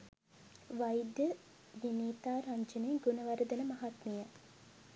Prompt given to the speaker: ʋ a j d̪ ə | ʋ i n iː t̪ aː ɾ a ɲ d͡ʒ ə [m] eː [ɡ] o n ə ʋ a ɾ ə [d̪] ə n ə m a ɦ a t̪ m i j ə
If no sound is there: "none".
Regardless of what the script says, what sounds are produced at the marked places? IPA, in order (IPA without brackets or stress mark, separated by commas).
n, ɡ, d̪